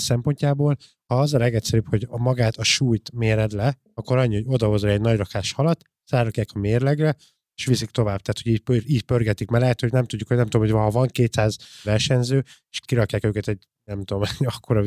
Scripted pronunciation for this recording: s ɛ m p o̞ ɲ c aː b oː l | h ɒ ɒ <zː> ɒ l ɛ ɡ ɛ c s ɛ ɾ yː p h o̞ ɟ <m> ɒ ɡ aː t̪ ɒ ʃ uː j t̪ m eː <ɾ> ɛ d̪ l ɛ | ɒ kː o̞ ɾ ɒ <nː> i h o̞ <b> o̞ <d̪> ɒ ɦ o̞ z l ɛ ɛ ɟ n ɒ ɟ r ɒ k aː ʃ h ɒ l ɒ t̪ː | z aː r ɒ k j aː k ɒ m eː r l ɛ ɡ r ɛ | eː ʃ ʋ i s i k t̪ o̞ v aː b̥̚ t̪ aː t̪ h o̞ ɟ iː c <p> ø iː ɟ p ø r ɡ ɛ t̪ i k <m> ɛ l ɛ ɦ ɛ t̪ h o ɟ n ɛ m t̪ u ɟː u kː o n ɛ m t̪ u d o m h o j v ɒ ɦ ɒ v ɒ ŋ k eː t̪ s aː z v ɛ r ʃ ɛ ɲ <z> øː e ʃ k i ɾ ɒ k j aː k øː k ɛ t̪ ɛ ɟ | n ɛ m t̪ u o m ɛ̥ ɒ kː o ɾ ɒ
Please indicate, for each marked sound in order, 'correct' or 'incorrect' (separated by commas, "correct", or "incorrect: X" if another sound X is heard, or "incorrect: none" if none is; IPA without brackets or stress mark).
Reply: incorrect: z, correct, correct, incorrect: ɲː, incorrect: ɟ, correct, correct, correct, correct